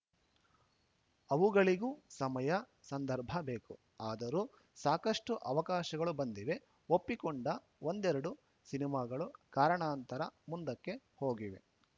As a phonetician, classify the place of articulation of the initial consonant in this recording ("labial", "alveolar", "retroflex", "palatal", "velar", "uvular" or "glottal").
labial